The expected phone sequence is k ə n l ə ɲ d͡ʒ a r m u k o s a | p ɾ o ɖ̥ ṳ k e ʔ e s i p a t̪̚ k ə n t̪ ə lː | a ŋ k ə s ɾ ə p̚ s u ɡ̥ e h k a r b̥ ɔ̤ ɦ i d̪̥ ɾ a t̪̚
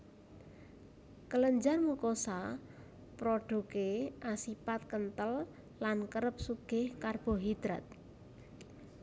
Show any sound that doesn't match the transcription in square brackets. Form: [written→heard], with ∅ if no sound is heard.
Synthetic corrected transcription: k ə [n→∅] l ə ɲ d͡ʒ a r m u k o s a | p ɾ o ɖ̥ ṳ k e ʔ [e→a] s i p a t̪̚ k ə n t̪ ə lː | a [ŋ→n] k ə [s→∅] ɾ ə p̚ s u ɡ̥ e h k a r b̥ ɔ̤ ɦ i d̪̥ ɾ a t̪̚